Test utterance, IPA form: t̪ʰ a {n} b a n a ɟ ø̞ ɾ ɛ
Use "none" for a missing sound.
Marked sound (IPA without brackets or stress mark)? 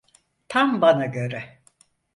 m